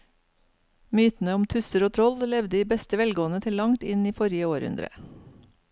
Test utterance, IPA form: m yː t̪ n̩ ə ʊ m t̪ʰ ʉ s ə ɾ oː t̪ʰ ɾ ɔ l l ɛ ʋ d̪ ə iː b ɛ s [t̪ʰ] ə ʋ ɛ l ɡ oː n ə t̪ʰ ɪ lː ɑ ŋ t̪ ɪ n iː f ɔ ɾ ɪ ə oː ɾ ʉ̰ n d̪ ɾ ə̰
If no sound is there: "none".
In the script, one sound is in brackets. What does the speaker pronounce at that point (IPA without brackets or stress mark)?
t̪